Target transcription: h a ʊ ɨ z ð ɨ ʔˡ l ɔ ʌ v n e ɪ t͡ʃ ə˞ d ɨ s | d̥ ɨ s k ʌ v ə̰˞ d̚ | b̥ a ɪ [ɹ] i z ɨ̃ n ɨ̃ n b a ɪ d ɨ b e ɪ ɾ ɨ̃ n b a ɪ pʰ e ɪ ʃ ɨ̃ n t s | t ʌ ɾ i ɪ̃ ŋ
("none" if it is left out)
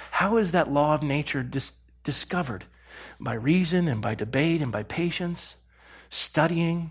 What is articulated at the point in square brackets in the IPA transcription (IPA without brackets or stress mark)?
ɹ